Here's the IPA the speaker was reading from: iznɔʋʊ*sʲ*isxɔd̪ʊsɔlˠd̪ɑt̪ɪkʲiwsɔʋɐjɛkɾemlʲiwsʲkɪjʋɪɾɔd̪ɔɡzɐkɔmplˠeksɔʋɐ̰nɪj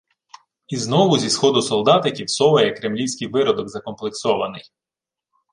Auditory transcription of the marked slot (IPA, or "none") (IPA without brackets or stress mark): zʲ